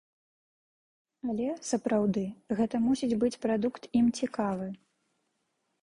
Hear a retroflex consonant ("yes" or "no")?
no